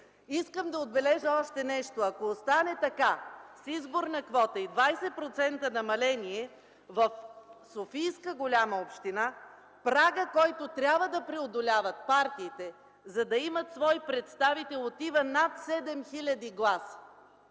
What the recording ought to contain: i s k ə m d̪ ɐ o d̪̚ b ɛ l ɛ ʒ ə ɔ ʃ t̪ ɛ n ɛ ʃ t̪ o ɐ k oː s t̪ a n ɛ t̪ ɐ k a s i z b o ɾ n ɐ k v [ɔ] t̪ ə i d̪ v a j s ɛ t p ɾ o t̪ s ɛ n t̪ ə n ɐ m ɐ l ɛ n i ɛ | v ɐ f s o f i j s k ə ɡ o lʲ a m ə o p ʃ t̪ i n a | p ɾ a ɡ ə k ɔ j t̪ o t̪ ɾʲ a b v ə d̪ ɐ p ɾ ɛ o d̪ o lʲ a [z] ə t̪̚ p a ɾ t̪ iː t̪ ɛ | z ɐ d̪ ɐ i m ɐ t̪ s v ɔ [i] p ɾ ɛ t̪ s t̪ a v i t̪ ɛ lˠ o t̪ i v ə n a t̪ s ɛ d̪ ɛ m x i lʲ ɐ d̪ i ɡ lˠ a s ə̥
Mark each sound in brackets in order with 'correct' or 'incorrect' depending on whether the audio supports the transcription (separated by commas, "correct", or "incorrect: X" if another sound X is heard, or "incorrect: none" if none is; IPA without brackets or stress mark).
correct, incorrect: v, incorrect: j